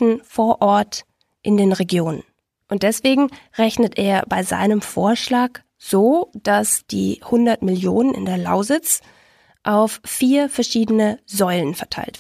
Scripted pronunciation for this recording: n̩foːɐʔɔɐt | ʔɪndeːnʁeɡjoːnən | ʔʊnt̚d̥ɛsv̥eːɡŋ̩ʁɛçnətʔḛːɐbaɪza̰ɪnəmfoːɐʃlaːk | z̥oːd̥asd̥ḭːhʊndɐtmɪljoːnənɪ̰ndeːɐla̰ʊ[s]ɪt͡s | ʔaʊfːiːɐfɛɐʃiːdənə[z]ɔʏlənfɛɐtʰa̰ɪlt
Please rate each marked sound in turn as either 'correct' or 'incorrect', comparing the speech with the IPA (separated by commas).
incorrect, correct